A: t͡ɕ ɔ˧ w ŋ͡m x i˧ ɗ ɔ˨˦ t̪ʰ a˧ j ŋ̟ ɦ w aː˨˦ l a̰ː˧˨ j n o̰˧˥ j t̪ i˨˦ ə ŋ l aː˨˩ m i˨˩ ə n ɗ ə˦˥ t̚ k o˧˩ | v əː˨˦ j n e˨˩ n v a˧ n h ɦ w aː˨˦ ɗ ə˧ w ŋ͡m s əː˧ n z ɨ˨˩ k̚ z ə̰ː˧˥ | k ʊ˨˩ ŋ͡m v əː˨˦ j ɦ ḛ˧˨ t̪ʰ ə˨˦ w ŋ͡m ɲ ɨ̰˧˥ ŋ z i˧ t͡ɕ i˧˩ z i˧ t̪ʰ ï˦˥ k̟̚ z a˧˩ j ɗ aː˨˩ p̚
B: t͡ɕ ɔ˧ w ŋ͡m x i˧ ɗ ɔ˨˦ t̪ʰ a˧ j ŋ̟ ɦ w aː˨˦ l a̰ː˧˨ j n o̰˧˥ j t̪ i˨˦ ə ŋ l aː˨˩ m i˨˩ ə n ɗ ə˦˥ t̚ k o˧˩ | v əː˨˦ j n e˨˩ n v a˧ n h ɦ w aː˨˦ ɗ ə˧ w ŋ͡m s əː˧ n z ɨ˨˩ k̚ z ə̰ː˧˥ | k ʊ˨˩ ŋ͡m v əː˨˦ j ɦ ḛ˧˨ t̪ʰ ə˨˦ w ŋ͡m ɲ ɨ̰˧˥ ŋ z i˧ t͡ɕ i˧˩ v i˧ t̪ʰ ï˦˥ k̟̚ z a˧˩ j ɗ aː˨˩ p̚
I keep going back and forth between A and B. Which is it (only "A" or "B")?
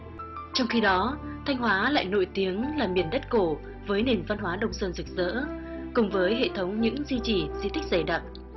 A